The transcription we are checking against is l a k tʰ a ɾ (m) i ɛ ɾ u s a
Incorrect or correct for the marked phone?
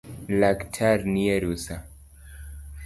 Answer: incorrect: n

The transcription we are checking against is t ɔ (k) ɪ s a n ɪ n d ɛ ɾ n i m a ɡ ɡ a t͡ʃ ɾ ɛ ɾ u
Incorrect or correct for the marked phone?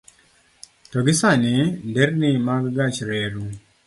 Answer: incorrect: ɡ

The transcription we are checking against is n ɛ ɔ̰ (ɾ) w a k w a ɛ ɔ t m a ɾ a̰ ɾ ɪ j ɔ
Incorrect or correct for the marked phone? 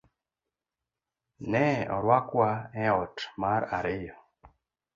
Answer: correct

